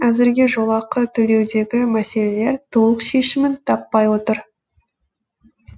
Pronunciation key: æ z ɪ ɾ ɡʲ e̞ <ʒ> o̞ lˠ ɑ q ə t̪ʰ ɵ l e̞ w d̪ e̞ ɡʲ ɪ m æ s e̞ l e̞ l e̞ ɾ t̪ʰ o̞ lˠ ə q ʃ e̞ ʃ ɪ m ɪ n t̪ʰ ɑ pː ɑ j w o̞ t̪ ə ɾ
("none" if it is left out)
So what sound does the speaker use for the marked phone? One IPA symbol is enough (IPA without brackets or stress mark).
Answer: ʒ